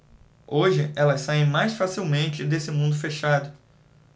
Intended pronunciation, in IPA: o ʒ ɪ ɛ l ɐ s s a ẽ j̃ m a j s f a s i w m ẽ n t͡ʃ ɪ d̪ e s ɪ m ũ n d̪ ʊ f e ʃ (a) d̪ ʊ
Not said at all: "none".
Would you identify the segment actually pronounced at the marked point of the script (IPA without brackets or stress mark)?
a